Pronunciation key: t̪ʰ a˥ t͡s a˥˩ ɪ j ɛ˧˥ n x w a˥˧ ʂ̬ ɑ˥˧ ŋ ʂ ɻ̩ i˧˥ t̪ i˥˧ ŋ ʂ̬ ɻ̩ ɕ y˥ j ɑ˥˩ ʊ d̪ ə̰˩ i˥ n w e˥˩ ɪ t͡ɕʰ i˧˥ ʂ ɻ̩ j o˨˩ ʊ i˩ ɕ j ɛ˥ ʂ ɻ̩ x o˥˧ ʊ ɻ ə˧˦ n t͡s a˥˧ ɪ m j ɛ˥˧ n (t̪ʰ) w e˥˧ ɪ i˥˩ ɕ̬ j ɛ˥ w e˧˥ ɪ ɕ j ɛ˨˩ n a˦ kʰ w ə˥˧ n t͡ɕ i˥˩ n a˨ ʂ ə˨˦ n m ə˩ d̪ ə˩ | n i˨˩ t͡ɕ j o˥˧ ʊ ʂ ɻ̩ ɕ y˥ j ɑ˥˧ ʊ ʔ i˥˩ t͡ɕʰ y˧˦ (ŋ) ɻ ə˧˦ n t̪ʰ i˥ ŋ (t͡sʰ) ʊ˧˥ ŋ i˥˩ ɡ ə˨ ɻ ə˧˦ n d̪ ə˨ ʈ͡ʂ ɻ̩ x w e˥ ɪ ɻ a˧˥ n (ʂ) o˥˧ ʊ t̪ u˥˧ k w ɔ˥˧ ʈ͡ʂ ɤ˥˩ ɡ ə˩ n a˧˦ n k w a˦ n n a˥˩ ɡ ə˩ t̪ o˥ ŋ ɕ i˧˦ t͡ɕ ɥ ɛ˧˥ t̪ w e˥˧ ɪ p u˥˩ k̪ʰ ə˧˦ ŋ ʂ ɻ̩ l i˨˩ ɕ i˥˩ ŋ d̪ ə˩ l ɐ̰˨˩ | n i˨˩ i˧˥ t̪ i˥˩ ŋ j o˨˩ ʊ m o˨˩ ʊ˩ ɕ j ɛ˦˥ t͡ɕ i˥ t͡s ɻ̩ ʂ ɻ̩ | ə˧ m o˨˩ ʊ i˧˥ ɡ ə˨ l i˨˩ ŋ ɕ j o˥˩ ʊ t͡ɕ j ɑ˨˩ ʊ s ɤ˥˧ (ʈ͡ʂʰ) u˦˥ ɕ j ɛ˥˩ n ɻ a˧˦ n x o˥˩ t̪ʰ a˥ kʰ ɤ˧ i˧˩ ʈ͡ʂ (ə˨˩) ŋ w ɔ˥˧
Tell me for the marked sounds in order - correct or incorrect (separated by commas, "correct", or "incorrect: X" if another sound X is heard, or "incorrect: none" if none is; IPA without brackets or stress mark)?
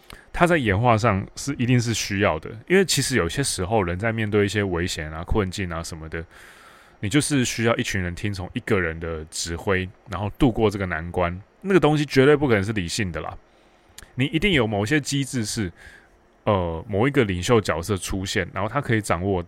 incorrect: t̪, incorrect: n, correct, incorrect: x, correct, incorrect: ɑ˨˩